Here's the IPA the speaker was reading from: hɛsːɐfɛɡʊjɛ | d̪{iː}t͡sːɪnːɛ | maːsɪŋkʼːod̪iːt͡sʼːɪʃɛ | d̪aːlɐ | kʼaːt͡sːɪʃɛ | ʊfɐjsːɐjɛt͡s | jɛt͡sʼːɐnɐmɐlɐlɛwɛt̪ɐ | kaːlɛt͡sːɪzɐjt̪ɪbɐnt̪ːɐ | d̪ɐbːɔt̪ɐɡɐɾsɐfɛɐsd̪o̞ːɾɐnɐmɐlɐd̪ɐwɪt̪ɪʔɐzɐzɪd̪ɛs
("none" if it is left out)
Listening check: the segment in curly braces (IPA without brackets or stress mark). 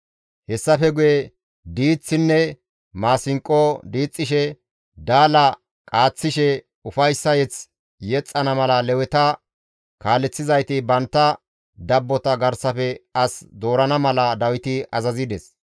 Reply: iː